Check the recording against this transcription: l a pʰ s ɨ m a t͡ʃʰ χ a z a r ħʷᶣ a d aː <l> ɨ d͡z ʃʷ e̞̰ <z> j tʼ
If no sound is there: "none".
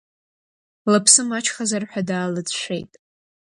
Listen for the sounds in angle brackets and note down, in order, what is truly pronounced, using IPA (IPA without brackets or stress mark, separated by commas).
l, none